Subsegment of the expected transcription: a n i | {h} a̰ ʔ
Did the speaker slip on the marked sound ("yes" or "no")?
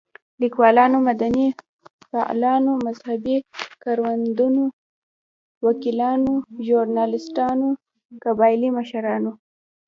yes